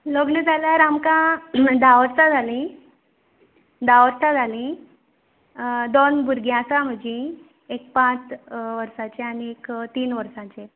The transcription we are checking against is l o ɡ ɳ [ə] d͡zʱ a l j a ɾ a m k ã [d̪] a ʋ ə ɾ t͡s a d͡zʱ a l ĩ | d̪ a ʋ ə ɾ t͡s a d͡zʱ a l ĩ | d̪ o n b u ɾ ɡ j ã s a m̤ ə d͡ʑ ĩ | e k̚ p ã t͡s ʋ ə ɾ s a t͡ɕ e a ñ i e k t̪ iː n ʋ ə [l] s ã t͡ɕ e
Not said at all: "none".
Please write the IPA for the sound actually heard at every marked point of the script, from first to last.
ə, d̪, ɾ

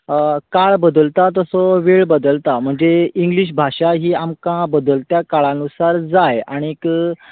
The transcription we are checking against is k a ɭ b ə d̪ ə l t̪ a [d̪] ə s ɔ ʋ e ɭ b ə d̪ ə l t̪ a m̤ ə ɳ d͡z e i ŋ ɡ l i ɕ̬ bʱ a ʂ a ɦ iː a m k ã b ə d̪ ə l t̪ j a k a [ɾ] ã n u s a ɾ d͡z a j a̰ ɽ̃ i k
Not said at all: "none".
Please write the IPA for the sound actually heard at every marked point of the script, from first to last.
t̪, ɭ

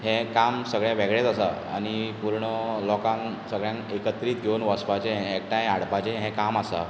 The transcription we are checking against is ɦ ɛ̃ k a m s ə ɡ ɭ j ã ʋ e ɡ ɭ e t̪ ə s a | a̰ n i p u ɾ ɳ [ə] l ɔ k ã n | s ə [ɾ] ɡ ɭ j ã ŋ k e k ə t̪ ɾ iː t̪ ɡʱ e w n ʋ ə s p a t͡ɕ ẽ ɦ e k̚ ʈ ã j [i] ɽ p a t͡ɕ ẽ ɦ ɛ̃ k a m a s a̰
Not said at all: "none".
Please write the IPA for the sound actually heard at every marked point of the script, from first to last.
ə, none, a

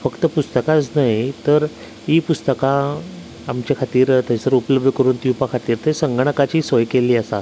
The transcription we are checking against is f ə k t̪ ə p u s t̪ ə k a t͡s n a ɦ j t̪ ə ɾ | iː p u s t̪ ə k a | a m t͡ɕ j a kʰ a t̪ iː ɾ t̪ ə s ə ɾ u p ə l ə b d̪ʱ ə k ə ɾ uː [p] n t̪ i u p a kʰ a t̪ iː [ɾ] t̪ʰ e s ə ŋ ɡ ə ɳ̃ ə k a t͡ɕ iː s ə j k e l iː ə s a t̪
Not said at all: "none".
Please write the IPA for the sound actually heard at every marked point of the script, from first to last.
none, ɾ

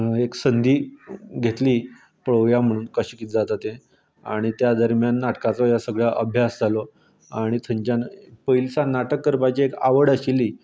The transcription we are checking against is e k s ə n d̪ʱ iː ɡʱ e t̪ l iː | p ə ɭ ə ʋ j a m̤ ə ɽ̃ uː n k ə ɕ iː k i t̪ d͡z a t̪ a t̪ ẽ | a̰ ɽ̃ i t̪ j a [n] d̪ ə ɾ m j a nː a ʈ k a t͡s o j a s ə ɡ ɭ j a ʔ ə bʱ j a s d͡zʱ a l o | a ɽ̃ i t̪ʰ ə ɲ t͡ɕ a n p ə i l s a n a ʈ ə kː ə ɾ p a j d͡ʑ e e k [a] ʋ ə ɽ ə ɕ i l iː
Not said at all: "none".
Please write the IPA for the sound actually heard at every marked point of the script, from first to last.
none, a

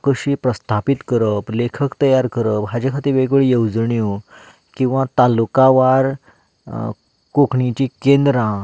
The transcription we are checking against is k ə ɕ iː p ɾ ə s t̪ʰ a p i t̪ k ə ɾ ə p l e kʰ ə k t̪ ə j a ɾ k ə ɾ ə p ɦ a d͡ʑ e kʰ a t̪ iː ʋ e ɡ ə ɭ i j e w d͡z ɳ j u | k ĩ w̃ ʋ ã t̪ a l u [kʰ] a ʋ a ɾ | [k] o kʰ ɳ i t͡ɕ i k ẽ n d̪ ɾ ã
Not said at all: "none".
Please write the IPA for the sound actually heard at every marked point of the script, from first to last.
k, k

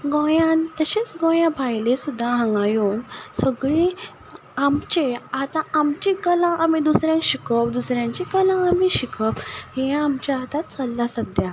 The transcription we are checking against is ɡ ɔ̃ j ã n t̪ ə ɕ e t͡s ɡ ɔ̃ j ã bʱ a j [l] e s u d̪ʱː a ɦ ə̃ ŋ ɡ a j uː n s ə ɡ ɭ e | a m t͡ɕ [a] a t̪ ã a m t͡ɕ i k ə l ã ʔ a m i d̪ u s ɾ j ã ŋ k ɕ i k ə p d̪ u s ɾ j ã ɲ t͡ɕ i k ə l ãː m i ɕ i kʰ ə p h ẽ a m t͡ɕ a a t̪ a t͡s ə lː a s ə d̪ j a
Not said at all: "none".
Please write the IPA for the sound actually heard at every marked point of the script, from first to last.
l, e

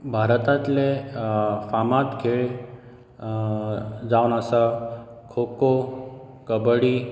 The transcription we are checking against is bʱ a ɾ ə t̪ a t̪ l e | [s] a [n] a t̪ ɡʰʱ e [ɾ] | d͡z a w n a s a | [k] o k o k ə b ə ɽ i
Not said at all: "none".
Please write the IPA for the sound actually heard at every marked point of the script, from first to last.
f, m, ɭ, kʰ

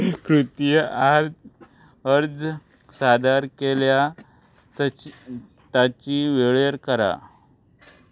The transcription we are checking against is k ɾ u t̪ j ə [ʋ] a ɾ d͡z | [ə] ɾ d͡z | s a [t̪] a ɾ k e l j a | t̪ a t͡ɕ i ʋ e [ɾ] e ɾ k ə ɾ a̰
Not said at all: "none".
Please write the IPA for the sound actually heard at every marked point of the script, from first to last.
none, ə, d̪, ɭ

